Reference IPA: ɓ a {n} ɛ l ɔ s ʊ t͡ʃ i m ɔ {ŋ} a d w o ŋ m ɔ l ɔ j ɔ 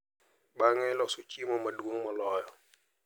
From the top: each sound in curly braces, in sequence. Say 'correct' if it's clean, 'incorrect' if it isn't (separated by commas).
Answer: incorrect, incorrect